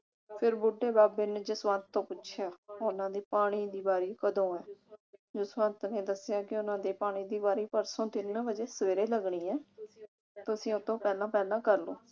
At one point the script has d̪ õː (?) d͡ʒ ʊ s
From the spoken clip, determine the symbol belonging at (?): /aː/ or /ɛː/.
ɛː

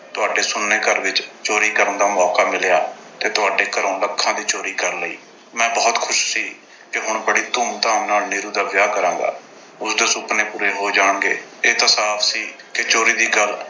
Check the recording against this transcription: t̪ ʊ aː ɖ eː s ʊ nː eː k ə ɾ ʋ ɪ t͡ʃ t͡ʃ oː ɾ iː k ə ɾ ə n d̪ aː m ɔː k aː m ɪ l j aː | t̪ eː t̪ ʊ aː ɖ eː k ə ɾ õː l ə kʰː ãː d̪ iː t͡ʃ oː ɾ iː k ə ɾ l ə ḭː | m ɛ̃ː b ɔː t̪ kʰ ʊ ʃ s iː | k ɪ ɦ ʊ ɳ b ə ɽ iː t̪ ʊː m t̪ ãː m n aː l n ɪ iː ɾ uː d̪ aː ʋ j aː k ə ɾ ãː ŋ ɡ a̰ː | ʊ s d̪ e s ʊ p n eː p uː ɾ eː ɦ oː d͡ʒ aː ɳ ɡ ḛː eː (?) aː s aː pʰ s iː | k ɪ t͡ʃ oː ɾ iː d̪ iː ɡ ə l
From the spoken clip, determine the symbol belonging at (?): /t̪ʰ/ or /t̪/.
t̪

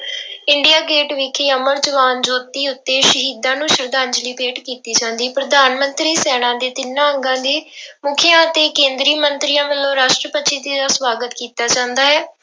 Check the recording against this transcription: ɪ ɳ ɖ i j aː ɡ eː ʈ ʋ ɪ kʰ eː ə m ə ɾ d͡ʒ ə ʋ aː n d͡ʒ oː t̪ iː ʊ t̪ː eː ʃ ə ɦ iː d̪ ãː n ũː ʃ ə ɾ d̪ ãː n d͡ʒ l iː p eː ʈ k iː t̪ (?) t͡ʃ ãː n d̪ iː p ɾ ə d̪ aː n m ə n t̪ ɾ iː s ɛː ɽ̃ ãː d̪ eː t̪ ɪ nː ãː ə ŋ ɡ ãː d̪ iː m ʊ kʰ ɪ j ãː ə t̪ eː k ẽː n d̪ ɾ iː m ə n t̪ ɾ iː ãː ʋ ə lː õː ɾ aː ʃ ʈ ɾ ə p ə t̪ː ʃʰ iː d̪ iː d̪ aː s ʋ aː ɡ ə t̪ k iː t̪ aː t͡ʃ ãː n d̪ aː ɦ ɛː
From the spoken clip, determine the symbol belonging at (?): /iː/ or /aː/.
iː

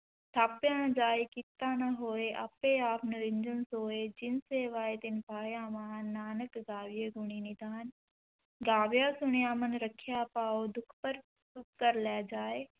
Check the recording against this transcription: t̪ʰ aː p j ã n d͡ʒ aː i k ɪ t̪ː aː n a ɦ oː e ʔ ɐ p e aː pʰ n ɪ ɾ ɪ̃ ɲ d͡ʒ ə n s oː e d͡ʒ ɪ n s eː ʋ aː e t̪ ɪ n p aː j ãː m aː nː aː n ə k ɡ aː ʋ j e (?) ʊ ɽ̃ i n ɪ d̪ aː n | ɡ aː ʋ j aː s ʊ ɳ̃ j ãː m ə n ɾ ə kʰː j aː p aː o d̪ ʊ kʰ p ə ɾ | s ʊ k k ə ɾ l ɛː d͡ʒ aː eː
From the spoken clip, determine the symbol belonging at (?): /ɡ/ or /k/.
ɡ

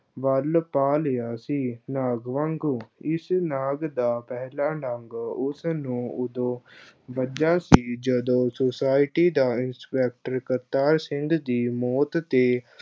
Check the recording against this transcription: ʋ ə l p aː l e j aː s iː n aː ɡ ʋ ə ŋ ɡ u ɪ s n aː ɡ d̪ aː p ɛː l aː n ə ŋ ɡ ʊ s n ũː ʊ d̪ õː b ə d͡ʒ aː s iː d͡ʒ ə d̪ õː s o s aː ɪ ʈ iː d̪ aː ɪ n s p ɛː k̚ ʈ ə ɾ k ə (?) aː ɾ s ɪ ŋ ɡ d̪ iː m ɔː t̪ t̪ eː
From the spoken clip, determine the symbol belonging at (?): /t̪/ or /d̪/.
t̪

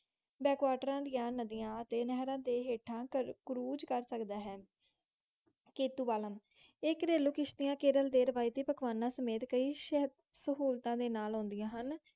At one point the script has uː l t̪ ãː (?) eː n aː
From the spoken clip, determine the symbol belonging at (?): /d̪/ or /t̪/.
d̪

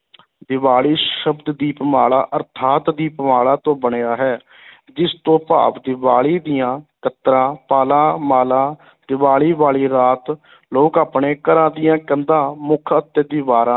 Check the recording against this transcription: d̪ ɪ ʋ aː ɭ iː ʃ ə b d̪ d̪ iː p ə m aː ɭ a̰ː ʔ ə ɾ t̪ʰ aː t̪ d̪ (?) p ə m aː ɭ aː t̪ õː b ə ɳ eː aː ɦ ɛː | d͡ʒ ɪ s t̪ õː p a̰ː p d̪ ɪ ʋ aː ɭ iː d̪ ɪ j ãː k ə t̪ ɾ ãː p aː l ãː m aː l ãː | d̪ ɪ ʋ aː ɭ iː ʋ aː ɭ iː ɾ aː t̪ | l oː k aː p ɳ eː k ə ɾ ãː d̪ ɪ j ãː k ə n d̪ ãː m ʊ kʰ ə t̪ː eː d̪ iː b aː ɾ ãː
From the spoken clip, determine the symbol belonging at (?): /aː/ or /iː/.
iː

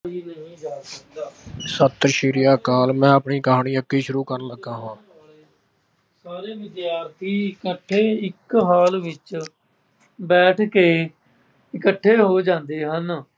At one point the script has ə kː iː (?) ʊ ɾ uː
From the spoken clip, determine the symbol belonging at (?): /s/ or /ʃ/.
ʃ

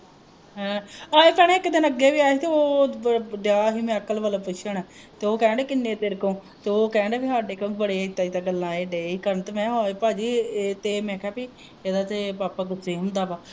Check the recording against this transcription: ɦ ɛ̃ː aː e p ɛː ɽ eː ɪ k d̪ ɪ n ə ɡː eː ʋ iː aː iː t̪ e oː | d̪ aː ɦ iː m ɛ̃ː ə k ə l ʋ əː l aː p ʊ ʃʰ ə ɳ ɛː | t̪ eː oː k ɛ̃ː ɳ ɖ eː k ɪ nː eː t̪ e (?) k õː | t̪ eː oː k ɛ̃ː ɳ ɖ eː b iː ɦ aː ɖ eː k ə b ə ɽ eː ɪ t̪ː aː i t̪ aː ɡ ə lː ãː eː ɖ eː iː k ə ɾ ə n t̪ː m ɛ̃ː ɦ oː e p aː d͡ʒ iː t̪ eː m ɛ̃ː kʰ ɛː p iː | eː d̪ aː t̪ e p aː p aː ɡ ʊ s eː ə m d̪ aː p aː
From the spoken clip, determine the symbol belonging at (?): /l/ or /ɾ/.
ɾ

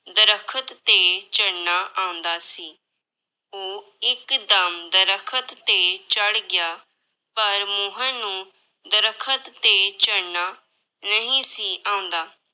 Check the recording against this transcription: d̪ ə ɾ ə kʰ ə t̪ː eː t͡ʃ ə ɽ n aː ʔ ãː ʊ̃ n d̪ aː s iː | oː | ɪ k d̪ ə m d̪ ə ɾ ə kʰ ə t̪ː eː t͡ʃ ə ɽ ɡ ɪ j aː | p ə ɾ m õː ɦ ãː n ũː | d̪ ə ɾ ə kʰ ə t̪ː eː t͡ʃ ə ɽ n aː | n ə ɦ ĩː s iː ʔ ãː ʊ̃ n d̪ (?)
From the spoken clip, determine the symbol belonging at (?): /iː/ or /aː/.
aː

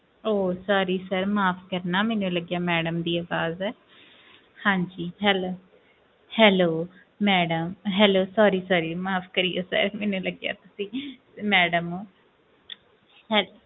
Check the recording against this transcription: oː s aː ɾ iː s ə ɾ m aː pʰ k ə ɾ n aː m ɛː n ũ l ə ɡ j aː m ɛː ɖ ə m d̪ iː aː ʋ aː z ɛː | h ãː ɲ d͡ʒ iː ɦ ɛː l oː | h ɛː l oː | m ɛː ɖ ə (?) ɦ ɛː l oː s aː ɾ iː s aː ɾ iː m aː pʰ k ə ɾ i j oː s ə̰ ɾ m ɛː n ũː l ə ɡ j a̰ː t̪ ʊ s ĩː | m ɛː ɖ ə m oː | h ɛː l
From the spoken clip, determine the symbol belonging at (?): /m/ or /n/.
m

